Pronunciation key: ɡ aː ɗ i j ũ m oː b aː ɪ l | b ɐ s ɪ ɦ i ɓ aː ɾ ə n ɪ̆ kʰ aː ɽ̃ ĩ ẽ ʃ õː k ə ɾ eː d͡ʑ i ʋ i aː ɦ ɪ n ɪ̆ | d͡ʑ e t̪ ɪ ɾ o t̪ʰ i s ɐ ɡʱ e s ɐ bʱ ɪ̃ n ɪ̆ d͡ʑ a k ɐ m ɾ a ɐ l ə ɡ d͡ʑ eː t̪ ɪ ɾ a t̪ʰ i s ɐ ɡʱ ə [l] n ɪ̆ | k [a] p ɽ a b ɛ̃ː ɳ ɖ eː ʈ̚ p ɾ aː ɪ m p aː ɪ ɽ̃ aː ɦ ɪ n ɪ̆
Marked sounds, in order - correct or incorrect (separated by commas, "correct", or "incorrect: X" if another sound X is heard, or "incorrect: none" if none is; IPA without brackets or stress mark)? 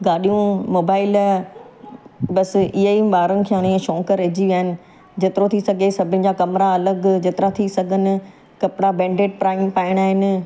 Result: incorrect: none, incorrect: ɐ